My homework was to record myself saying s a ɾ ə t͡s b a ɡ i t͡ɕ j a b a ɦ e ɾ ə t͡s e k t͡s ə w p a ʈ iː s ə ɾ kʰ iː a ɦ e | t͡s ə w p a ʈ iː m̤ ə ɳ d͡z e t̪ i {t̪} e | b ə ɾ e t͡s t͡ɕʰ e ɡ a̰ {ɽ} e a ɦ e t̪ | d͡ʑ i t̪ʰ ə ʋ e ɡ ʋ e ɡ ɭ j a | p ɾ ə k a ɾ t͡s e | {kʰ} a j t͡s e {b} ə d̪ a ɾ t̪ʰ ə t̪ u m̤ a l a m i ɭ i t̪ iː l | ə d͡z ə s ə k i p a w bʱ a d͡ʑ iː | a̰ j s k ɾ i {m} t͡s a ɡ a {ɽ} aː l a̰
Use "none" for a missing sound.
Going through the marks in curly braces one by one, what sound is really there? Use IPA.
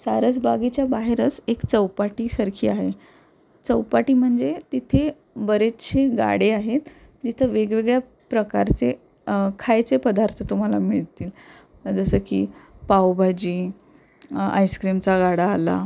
t̪ʰ, ɽ, kʰ, p, m, ɽ

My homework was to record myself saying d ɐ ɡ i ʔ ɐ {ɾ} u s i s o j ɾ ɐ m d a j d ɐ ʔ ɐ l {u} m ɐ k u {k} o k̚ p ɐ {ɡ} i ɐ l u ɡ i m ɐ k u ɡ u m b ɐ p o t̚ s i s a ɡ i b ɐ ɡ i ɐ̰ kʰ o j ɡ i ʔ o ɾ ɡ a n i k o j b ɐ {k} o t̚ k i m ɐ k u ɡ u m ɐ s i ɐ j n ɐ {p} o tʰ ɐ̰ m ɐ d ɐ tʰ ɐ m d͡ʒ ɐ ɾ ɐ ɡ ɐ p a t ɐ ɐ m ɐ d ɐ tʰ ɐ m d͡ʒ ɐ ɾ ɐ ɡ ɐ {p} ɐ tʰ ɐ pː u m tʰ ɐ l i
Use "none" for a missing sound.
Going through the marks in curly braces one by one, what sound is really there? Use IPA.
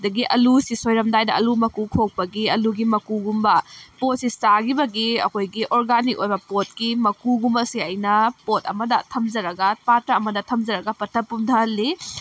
l, u, kʰ, ɡ, p, p, p

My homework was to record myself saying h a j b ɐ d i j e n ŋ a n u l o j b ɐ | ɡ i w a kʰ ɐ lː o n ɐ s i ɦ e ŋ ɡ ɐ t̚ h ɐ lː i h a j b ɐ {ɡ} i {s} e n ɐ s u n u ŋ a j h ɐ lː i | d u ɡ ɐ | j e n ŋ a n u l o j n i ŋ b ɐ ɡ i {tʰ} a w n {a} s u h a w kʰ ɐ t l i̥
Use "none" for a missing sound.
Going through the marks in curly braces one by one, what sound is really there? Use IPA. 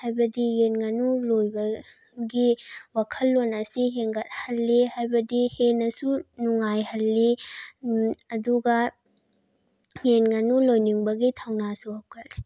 d, h, tʰ, a

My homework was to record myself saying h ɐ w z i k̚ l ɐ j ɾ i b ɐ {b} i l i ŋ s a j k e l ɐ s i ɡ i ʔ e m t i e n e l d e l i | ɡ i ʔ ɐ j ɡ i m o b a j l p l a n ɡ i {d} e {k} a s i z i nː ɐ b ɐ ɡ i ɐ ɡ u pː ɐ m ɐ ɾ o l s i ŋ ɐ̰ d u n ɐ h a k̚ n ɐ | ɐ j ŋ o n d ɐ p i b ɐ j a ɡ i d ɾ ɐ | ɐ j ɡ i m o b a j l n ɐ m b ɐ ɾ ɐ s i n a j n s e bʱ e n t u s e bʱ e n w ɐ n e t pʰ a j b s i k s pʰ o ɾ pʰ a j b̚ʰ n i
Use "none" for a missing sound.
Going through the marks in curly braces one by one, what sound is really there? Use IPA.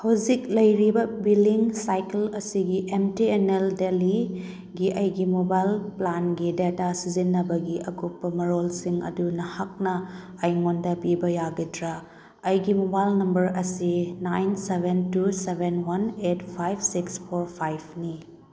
b, d, t

